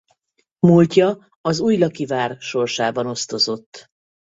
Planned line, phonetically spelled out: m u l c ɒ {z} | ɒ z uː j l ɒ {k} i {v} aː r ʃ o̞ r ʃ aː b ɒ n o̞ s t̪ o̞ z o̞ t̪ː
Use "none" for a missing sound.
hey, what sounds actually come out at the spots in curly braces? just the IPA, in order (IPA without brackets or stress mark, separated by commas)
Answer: none, k, v